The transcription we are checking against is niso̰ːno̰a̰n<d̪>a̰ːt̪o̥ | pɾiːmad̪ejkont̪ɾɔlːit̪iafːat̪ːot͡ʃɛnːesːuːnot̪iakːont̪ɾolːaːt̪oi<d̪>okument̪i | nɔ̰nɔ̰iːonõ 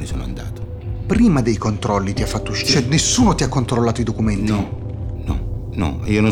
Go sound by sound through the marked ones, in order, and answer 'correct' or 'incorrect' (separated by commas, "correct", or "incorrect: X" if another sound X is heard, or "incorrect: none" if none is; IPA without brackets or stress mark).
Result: correct, correct